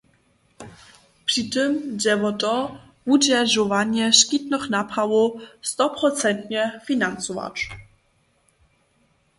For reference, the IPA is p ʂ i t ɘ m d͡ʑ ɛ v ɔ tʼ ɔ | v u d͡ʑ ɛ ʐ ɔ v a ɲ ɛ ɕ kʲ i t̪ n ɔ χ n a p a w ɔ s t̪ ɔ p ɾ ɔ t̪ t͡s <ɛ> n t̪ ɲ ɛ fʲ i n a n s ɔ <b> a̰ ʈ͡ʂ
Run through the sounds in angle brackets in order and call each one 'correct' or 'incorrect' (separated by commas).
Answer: correct, incorrect